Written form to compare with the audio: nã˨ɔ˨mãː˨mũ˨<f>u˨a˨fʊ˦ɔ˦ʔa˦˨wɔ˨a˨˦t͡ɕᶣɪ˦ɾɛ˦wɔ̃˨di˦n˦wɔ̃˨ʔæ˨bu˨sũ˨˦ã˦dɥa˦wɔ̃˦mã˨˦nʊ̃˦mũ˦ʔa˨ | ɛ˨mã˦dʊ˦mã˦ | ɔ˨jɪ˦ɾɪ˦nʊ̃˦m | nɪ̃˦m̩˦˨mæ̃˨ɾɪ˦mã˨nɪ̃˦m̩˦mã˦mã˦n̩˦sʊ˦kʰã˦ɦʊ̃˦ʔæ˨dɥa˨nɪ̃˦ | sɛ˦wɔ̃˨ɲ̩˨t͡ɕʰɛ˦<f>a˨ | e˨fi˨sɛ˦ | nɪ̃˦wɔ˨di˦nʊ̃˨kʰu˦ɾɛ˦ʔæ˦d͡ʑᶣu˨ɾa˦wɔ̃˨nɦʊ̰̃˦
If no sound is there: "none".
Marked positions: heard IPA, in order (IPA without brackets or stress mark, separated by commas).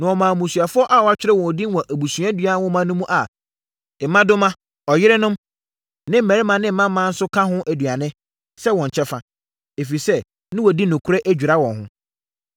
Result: s, f